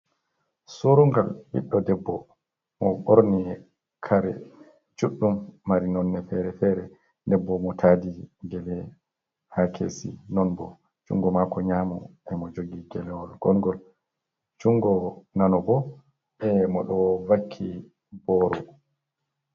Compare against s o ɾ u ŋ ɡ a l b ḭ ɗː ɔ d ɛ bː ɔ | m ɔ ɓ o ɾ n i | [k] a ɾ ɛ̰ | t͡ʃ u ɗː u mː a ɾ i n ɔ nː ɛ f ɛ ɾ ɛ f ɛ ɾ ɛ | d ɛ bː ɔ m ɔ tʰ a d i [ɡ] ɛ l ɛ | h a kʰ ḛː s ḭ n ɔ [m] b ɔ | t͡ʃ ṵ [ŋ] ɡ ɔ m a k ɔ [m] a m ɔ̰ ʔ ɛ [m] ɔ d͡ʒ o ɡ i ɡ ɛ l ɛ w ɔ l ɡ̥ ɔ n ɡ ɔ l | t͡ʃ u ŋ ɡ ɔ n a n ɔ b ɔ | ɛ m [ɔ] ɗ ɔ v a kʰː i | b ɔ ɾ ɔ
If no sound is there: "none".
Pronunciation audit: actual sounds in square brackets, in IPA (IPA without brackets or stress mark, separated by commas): kʰ, ɡ, n, ŋ, ɲ, m, ɔ